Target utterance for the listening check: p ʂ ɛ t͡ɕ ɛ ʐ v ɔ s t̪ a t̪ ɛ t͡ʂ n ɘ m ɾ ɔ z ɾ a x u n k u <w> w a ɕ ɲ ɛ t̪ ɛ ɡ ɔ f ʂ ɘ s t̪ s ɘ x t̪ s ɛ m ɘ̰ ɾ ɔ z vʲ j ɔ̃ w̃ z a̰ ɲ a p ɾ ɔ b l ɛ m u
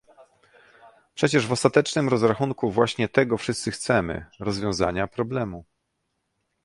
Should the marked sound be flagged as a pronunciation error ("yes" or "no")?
yes